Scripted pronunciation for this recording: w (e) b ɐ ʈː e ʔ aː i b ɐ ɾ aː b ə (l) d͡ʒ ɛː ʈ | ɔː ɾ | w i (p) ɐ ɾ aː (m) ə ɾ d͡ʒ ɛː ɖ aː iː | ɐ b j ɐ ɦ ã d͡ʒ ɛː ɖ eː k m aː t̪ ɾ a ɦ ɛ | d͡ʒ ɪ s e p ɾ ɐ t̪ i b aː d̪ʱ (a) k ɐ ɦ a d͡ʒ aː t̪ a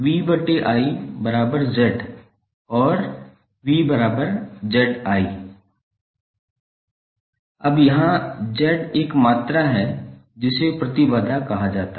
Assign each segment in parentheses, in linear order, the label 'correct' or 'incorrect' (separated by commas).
incorrect, incorrect, incorrect, incorrect, correct